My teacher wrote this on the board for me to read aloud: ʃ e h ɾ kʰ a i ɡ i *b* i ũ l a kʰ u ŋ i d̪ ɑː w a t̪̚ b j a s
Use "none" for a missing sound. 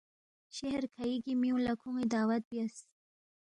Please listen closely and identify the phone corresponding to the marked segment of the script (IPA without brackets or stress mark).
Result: m